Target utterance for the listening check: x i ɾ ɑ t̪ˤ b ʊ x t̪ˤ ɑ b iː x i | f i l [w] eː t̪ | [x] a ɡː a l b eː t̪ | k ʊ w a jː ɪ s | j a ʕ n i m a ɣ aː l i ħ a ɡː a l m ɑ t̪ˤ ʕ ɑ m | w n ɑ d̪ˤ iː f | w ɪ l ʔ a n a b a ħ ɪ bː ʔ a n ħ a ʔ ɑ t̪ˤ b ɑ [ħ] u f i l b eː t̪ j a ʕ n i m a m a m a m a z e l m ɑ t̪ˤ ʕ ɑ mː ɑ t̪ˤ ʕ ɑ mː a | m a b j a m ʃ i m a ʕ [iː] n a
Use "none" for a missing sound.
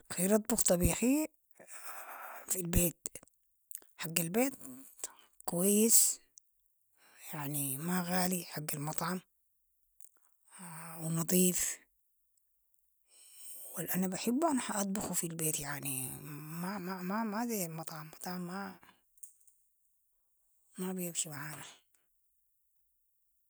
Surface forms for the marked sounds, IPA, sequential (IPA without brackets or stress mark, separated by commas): b, ħ, x, aː